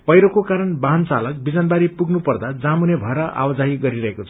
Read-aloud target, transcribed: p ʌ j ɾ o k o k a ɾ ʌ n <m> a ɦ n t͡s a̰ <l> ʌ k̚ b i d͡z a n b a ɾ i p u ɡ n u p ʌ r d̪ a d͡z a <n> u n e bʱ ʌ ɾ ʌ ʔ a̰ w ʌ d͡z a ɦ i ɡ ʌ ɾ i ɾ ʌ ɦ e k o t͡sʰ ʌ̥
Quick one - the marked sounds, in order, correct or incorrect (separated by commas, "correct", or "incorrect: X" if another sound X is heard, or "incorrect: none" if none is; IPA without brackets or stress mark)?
incorrect: b, correct, incorrect: m